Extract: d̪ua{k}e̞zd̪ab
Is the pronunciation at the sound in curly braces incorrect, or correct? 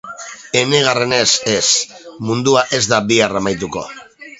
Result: incorrect